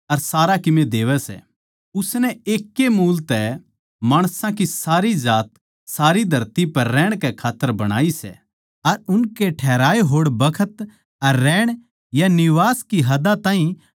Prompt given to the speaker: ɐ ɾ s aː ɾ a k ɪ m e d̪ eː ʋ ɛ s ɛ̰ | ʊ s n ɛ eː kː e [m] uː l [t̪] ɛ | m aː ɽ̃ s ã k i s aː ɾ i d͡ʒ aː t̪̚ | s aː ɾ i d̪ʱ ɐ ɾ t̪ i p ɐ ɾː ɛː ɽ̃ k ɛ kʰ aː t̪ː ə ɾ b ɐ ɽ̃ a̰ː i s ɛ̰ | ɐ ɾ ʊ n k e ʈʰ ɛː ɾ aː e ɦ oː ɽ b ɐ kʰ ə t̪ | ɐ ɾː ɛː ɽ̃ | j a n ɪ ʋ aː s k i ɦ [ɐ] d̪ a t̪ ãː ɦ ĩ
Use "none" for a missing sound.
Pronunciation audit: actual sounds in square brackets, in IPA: m, t̪, ɐ

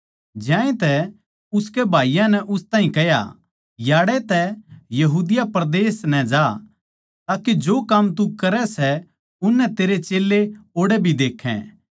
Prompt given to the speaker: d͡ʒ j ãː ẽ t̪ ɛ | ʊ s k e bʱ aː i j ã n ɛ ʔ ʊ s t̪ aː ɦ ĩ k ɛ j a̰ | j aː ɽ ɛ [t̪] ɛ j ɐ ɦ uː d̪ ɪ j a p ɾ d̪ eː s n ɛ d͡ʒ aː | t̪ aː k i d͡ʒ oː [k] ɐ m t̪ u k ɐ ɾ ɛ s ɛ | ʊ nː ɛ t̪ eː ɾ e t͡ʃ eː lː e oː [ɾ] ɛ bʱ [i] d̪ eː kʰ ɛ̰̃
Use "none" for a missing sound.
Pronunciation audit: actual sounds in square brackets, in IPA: t̪, k, ɽ, i

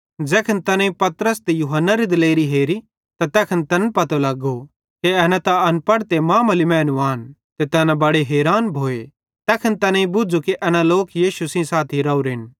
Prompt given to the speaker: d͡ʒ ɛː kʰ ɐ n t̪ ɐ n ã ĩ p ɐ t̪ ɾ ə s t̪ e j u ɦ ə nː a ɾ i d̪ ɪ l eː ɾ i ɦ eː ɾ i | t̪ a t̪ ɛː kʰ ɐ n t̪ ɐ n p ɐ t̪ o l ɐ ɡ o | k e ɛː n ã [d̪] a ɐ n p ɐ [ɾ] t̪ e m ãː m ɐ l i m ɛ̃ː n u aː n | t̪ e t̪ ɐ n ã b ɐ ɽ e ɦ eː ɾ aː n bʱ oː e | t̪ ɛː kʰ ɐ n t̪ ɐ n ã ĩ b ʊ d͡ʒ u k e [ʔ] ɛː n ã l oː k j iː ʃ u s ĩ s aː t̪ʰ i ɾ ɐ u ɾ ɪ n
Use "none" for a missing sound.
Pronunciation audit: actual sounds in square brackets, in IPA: t̪, ɽ, ʔ

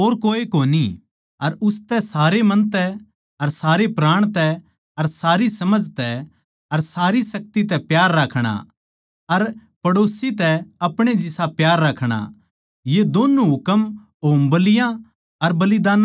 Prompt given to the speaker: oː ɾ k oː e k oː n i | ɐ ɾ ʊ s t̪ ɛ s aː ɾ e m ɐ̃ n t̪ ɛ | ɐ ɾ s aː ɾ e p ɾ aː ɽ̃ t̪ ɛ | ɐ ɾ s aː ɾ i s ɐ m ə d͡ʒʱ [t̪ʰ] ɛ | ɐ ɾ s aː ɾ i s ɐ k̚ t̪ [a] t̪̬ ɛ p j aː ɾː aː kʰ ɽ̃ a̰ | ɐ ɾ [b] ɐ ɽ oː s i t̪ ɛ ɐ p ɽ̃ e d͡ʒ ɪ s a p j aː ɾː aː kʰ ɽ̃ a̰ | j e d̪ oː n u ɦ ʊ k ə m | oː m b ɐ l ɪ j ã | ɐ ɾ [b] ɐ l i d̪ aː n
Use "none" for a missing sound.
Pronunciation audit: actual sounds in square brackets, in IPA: t̪, i, p, b

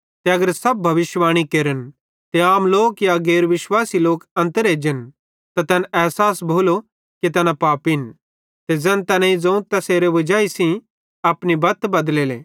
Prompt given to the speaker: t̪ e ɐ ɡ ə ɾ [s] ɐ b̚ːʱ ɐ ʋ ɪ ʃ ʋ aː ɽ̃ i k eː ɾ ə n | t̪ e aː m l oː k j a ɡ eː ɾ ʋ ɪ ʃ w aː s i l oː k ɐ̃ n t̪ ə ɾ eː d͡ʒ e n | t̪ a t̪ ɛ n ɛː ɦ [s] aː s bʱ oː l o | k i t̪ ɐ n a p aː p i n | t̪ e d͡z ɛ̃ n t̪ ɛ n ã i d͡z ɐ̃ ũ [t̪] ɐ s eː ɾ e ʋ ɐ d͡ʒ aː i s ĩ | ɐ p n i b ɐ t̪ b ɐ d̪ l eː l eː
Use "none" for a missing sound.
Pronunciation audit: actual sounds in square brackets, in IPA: s, s, t̪

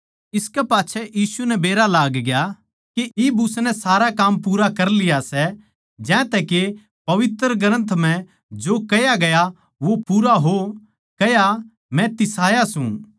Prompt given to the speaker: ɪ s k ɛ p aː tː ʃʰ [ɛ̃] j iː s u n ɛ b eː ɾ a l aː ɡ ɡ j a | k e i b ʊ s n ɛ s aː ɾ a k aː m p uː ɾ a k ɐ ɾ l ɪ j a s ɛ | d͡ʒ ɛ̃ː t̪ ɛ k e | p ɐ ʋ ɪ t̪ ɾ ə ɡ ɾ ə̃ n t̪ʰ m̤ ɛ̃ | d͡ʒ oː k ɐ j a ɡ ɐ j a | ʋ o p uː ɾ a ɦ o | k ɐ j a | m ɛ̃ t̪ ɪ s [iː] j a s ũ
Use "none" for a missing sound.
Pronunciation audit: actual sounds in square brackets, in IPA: ɛ, aː

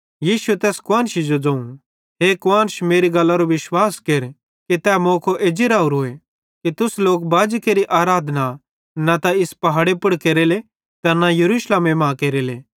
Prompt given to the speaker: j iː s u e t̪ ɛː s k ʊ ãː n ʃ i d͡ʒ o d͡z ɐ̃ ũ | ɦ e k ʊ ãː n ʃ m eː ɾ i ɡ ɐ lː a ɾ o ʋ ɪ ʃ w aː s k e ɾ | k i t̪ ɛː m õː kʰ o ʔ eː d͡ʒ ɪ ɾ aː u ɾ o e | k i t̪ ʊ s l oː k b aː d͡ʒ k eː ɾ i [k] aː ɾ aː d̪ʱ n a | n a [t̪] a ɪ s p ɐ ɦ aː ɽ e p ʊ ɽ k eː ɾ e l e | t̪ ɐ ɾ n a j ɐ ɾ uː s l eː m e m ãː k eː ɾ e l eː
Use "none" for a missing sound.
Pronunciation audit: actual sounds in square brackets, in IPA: ʔ, t̪

